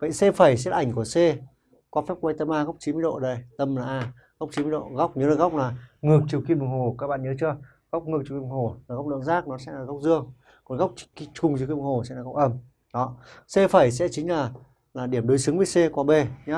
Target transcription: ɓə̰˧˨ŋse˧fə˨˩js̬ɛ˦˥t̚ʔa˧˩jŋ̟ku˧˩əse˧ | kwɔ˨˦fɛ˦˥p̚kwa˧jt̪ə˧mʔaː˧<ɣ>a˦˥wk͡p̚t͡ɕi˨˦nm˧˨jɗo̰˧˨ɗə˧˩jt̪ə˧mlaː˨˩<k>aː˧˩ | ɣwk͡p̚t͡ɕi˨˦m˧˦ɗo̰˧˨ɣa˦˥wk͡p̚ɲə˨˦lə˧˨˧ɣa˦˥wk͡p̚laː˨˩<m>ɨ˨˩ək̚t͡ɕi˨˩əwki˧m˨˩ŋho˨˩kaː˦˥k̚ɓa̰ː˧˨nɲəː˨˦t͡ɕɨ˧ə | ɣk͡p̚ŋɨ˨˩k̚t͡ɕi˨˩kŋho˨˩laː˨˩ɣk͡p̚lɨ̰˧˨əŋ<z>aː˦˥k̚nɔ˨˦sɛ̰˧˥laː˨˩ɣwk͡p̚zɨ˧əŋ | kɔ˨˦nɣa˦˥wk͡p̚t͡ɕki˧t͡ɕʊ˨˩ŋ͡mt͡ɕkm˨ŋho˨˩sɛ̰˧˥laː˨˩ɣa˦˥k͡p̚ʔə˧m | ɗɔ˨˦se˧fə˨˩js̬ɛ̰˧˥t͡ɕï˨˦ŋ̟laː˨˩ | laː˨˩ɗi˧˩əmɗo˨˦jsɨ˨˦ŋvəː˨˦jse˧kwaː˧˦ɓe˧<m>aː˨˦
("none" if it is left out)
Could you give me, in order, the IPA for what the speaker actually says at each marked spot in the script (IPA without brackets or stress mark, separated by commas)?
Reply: ɣ, ʔ, ŋ, z, ɲ